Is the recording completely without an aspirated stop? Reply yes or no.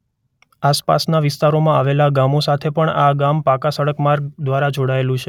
no